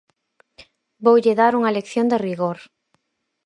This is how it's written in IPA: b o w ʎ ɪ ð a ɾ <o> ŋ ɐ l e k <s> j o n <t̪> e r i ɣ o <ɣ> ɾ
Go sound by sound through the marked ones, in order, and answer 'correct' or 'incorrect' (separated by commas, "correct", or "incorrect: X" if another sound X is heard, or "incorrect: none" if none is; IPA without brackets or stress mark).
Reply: incorrect: u, incorrect: θ, incorrect: d̪, incorrect: none